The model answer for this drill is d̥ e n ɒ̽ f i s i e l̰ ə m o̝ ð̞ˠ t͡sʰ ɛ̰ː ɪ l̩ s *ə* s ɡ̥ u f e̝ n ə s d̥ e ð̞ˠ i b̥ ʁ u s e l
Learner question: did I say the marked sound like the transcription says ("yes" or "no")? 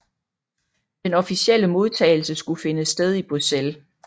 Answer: yes